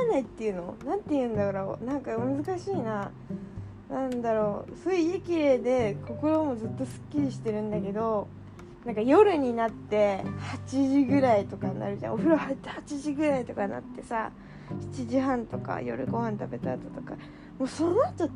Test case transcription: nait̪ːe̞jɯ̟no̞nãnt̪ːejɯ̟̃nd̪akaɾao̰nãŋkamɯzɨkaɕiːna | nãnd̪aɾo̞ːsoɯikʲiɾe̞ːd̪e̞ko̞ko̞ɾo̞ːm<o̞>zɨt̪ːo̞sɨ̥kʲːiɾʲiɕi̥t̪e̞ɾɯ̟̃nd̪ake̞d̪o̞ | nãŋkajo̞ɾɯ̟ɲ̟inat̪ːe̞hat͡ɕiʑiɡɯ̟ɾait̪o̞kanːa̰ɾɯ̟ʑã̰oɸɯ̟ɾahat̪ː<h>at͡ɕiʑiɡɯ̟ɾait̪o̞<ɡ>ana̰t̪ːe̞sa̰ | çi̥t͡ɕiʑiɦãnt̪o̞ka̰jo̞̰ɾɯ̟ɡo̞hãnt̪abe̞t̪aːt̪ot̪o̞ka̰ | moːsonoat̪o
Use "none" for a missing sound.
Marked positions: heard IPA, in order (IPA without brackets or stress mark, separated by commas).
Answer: o̞, h, k